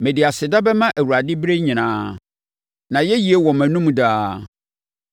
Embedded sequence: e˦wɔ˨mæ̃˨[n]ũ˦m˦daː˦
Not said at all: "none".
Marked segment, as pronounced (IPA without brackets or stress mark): n